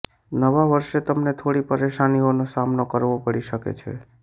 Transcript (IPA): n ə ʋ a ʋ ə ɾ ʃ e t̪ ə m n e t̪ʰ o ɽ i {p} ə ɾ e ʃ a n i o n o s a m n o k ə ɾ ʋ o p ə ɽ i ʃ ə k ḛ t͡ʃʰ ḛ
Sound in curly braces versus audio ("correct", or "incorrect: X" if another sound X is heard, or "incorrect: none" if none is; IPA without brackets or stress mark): correct